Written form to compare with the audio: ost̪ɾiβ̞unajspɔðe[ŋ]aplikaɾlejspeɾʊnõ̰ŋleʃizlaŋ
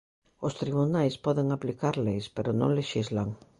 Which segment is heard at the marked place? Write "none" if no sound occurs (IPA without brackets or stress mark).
ŋ